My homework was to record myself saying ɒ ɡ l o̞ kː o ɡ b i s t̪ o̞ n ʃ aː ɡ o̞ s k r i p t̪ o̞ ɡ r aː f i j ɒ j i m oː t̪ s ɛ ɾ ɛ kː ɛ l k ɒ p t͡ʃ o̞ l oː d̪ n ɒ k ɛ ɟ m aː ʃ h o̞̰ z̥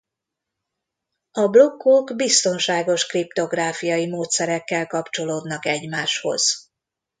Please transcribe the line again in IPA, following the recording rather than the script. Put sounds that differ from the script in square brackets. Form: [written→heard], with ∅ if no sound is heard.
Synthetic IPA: ɒ [ɡ→b] l o̞ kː o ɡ b i s t̪ o̞ n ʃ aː ɡ o̞ [s→ʃ] k r i p t̪ o̞ ɡ r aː f i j ɒ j i m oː t̪ s ɛ ɾ ɛ kː ɛ l k ɒ p t͡ʃ o̞ l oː d̪ n ɒ k ɛ ɟ m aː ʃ h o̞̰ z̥